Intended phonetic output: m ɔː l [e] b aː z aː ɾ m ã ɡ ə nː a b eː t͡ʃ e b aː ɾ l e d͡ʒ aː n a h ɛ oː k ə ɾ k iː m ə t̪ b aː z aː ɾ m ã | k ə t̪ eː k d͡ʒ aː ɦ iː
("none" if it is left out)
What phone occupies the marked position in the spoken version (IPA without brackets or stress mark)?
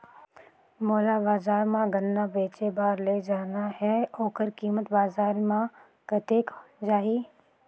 a